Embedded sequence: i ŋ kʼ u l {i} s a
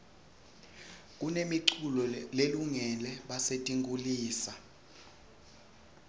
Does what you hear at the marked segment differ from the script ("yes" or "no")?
yes